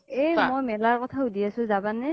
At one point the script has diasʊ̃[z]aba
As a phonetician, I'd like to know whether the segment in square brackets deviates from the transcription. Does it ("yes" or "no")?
no